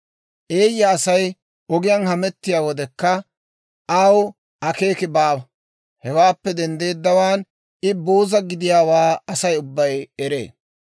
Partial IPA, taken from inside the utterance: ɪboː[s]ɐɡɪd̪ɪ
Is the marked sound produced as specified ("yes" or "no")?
no